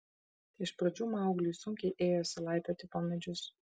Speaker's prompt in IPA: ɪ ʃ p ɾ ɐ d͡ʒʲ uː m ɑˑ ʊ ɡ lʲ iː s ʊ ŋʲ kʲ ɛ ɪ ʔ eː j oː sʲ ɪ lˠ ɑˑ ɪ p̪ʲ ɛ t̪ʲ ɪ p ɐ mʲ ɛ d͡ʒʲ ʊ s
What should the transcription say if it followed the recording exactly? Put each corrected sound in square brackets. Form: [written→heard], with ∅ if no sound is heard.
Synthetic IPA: ɪ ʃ p ɾ ɐ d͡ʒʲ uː m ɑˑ ʊ ɡ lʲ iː s ʊ ŋʲ kʲ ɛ ɪ ʔ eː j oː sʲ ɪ lˠ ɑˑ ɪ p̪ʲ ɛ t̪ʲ ɪ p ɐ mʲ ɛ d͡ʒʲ ʊ s